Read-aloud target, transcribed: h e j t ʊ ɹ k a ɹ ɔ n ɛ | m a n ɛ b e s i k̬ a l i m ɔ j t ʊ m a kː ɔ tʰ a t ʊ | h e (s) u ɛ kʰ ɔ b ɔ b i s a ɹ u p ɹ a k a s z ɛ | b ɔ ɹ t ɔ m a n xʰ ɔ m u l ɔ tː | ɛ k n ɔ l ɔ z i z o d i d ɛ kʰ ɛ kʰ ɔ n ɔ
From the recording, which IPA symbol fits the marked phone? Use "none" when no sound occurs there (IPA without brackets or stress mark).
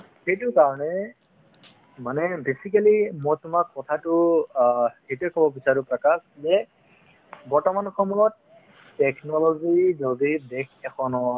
t